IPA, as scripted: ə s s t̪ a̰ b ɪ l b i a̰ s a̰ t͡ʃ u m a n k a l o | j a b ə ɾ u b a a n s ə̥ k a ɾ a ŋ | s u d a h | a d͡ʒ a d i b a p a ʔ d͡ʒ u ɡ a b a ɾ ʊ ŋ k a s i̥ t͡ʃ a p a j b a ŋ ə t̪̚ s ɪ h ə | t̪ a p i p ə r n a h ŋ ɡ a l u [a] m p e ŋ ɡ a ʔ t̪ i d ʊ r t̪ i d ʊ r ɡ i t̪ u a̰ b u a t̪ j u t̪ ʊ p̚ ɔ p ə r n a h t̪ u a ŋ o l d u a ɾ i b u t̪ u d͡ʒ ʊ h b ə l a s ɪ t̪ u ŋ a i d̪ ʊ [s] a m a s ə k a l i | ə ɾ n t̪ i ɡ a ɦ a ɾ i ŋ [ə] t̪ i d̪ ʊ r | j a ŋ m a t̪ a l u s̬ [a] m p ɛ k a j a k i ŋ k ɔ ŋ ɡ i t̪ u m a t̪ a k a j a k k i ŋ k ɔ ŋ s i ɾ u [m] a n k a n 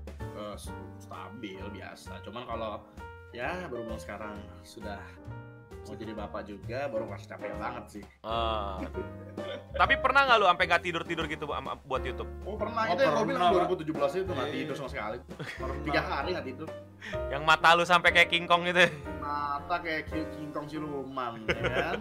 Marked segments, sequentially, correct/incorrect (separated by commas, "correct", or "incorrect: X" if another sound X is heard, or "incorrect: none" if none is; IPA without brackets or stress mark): correct, correct, incorrect: a, correct, correct